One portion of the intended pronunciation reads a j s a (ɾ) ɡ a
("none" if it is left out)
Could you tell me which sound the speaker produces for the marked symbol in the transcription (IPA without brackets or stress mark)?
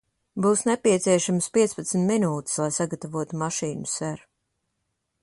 none